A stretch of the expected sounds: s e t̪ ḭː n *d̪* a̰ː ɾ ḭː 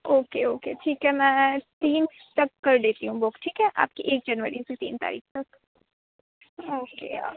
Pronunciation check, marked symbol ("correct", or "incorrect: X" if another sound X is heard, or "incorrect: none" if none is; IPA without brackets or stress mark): incorrect: t̪